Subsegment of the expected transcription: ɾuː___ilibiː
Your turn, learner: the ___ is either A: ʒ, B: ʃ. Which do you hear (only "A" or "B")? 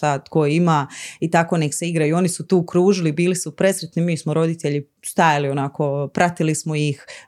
A